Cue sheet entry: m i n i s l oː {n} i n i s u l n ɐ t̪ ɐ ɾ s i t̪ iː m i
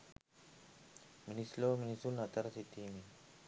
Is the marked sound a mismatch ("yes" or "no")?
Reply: yes